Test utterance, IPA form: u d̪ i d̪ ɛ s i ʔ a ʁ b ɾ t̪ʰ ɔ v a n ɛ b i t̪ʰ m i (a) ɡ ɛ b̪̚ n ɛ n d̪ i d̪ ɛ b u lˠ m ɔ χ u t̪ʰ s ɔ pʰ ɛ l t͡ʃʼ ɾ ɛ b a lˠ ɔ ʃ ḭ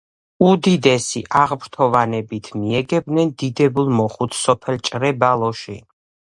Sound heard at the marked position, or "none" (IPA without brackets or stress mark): ɛ